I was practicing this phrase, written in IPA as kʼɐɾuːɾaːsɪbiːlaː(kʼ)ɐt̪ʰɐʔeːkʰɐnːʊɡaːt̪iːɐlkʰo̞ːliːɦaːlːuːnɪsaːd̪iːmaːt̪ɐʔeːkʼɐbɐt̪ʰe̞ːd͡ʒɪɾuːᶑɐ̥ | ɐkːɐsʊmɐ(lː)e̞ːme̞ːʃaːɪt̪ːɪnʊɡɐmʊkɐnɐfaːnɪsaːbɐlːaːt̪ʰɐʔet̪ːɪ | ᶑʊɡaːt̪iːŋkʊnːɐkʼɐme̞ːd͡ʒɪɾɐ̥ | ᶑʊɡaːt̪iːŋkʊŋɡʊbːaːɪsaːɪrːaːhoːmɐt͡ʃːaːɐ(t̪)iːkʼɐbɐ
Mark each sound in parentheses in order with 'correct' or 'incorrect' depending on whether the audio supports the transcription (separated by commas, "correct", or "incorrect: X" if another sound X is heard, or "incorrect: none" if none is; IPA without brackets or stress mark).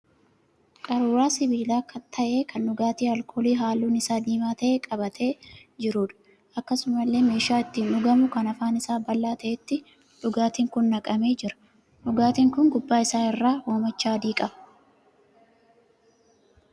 incorrect: k, correct, incorrect: d̪